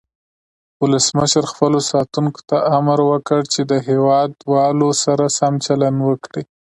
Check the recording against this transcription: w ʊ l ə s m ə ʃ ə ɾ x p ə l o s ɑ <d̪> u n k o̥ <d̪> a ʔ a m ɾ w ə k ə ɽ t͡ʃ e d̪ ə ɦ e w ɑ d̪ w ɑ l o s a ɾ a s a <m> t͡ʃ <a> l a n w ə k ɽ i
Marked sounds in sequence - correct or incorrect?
incorrect, incorrect, correct, correct

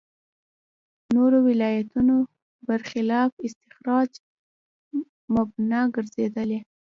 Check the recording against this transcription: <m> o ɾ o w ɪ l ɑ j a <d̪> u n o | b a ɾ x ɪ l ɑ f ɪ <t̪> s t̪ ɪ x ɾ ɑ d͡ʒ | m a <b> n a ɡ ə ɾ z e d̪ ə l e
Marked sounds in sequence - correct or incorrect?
incorrect, incorrect, incorrect, correct

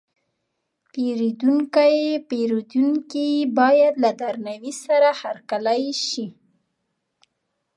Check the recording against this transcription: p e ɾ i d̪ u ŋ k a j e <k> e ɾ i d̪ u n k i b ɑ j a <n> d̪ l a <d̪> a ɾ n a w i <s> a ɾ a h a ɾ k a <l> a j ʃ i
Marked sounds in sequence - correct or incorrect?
incorrect, incorrect, correct, correct, correct

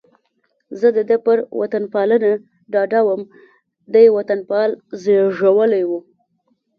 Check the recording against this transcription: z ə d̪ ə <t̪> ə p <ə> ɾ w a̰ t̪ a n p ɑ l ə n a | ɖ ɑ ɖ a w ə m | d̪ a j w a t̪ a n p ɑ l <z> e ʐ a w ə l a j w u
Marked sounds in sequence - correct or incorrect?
incorrect, correct, correct

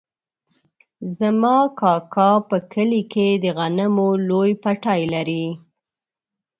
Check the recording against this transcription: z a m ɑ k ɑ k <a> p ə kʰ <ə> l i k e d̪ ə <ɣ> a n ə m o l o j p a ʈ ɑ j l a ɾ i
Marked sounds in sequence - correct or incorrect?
incorrect, correct, correct

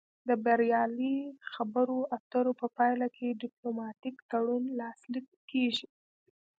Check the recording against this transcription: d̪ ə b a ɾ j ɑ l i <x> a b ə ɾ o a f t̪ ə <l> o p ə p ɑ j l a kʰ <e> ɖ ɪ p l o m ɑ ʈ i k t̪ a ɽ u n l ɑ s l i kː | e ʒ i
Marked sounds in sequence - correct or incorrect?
correct, incorrect, correct

